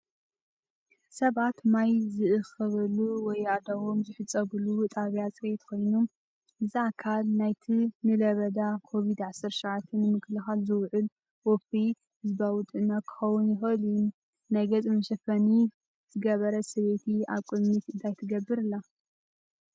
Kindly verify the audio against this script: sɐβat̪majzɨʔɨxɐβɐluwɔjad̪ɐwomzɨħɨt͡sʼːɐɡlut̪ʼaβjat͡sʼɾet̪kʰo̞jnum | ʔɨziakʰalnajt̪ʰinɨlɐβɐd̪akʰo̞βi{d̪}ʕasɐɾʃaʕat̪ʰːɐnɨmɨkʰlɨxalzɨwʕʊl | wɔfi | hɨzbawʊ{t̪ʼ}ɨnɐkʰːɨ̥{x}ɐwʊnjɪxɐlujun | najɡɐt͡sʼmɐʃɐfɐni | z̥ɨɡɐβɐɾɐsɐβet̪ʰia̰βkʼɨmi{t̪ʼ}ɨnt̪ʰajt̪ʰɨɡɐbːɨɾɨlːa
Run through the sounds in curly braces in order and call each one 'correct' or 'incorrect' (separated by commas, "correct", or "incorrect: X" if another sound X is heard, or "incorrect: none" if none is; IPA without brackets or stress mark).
correct, correct, correct, incorrect: t̪